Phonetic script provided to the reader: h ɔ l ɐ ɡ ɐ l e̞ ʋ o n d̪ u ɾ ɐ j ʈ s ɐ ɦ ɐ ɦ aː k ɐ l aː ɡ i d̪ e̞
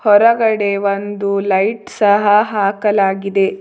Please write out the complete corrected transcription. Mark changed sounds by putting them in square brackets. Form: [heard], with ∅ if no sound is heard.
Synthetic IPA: h ɔ [ɾ] ɐ ɡ ɐ [ɽ] e̞ ʋ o n d̪ u [l] ɐ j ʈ s ɐ ɦ ɐ ɦ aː k ɐ l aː ɡ i d̪ e̞

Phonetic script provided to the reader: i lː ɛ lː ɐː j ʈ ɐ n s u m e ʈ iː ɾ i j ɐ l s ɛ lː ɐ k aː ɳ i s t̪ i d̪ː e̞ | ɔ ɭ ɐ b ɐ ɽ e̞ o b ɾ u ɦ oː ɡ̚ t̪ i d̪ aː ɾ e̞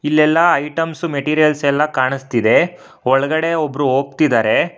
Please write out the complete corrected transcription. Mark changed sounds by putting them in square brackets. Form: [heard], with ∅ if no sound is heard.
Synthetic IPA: i lː ɛ lː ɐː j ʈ ɐ [m] s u m e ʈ iː ɾ i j ɐ l s ɛ lː ɐ k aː ɳ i s t̪ i [d̪] e̞ | ɔ ɭ ɐ [ɡ] ɐ ɽ e̞ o b ɾ u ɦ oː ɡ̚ t̪ i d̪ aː ɾ e̞

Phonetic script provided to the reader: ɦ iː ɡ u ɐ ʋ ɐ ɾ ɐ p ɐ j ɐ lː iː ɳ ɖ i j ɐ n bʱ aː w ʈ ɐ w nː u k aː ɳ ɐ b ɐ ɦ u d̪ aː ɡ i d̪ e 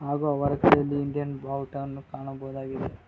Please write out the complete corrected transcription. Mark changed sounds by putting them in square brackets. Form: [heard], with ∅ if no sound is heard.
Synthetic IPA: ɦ [aː] ɡ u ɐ ʋ ɐ ɾ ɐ [k] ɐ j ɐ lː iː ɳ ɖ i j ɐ n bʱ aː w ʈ ɐ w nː u k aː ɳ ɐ b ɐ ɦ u d̪ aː ɡ i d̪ e

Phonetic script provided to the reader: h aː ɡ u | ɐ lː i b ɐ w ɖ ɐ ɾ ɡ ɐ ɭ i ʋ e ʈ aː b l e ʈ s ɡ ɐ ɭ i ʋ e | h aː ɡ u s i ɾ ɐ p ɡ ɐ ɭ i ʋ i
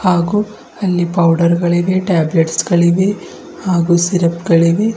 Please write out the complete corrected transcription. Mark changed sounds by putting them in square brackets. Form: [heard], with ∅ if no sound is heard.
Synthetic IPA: h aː ɡ u | ɐ lː i [p] ɐ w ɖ ɐ ɾ ɡ ɐ ɭ i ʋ e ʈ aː b l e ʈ s ɡ ɐ ɭ i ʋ e | h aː ɡ u s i ɾ ɐ p ɡ ɐ ɭ i ʋ [e]

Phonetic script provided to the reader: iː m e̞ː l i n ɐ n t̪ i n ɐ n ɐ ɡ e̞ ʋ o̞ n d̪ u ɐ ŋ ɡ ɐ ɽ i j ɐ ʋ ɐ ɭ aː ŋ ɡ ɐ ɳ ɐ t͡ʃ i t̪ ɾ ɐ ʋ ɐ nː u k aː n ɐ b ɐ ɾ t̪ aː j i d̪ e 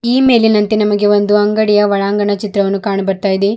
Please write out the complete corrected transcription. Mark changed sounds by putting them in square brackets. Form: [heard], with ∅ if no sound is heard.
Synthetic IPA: iː m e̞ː l i n ɐ n t̪ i n ɐ [m] ɐ ɡ e̞ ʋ o̞ n d̪ u ɐ ŋ ɡ ɐ ɽ i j ɐ ʋ ɐ ɭ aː ŋ ɡ ɐ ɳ ɐ t͡ʃ i t̪ ɾ ɐ ʋ ɐ nː u k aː [ɳ] ɐ b ɐ ɾ t̪ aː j i d̪ e

